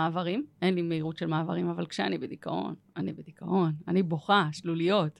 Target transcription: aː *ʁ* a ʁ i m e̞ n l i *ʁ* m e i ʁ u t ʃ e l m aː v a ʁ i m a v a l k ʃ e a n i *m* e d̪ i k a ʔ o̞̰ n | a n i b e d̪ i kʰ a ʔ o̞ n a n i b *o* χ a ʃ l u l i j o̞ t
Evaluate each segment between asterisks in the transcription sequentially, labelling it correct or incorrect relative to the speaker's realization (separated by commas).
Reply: incorrect, incorrect, incorrect, correct